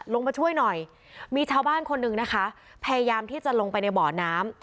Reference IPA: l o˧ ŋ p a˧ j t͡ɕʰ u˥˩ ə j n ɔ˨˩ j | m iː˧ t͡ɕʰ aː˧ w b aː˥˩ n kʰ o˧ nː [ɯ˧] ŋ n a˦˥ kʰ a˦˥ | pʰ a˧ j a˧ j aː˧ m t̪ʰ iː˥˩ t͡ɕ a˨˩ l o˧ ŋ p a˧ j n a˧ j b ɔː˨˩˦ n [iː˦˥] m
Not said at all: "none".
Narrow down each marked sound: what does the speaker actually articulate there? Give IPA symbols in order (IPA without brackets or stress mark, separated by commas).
ɯ˨˩, aː˦˥